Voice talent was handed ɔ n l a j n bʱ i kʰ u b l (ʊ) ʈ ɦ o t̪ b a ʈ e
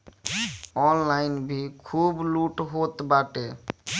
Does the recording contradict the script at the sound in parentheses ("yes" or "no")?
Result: yes